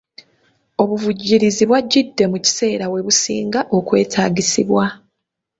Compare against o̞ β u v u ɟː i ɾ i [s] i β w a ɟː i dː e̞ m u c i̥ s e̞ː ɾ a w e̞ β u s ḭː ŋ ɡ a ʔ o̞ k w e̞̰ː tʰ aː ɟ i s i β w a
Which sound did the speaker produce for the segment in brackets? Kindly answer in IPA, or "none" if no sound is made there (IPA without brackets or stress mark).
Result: z